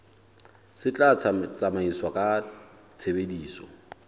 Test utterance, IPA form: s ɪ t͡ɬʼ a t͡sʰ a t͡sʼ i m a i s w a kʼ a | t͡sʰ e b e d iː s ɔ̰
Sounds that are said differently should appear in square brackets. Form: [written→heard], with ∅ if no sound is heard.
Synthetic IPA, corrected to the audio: s ɪ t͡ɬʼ a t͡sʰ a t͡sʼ [i→a] m a i s w a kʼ a | t͡sʰ e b e d iː s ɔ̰

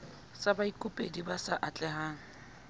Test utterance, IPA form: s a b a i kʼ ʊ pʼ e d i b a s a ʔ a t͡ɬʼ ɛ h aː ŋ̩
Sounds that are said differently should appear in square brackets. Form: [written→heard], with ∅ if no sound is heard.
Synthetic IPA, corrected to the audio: s a b a i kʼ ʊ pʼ e d i b a s a ʔ a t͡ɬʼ ɛ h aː ŋ̩

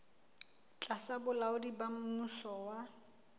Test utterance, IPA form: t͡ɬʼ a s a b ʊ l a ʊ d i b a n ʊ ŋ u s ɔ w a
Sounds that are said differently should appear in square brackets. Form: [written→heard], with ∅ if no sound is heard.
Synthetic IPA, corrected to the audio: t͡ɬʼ a s a b ʊ l a ʊ d i b a [n→m] ʊ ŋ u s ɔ w a

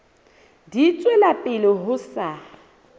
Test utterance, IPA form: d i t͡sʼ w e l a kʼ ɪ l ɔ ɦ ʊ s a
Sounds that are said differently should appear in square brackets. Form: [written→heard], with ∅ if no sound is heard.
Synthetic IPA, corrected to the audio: d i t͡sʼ w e l a [kʼ→pʼ] ɪ l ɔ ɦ ʊ s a

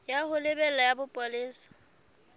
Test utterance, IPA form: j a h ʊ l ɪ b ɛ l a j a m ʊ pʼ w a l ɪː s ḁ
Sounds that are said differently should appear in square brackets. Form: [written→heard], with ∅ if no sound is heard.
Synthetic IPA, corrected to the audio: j a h ʊ l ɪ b ɛ l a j a [m→b] ʊ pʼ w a l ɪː s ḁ

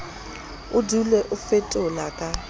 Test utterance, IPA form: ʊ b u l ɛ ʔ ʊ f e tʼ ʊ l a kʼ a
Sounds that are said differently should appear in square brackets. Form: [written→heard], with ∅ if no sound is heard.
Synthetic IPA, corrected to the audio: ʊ [b→d] u l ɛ ʔ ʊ f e tʼ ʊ l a kʼ a

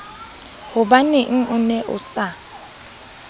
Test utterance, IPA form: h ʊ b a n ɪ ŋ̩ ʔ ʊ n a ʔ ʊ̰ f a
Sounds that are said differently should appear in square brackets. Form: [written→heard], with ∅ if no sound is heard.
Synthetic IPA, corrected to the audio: h ʊ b a n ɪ ŋ̩ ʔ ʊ n [a→ɛ] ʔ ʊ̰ [f→s] a

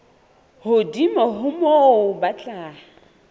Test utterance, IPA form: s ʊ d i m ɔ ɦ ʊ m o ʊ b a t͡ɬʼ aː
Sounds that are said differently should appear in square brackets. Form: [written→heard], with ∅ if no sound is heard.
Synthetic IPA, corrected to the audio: [s→h] ʊ d i m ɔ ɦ ʊ m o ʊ b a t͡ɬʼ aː

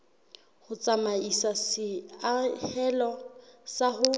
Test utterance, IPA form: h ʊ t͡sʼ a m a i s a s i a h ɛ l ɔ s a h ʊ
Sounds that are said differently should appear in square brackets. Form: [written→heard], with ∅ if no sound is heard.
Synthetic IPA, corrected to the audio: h ʊ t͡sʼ a m a i s a s [i→ɪ] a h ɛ l ɔ s a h ʊ

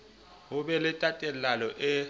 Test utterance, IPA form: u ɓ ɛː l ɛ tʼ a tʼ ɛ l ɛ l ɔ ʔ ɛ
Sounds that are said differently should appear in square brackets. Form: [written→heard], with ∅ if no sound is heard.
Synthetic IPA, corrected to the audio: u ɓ [ɛː→ɛ] l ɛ tʼ a tʼ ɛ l [ɛ→a] l ɔ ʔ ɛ

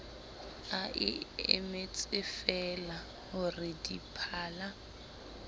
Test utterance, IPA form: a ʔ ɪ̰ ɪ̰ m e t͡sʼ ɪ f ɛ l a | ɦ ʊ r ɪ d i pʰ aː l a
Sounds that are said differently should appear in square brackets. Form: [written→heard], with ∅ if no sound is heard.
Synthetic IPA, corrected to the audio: a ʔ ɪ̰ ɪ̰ m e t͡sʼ ɪ f ɛ l a | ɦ ʊ r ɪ d i pʰ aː l a

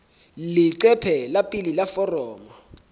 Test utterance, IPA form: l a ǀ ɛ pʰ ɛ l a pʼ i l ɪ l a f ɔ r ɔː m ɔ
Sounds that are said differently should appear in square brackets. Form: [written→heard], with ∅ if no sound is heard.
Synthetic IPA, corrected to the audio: l [a→i] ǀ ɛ pʰ ɛ l a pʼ i l [ɪ→i] l a f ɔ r ɔː m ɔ

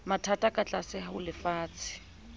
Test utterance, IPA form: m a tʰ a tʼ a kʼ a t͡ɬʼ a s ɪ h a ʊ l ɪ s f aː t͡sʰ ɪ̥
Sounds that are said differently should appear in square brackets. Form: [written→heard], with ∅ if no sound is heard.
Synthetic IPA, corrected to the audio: m a tʰ a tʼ a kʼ a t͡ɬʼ a s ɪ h a ʊ l ɪ [s→∅] f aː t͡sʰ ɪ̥

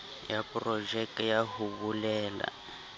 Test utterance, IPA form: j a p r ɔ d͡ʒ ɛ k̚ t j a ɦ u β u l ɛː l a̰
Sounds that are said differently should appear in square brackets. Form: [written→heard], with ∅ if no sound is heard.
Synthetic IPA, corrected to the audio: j a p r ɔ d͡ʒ ɛ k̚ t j a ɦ u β u l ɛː l a̰

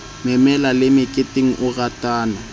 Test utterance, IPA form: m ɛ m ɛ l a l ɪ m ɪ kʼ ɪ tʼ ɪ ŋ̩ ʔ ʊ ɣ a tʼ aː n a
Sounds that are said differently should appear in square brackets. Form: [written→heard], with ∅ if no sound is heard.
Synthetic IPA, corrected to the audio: m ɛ m ɛ l a l ɪ m ɪ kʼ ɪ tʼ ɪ ŋ̩ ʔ ʊ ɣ a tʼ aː n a

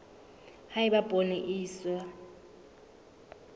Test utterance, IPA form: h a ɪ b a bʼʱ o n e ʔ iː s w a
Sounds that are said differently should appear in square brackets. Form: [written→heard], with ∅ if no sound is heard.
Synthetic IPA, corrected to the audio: h a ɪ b a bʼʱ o n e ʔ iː s w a

